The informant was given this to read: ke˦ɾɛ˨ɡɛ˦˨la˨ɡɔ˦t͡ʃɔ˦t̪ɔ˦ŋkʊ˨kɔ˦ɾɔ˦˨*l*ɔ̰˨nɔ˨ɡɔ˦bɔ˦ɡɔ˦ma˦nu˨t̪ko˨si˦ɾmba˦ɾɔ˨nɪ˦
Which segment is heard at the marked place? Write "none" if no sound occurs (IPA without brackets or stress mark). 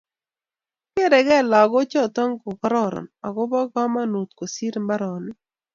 ɾ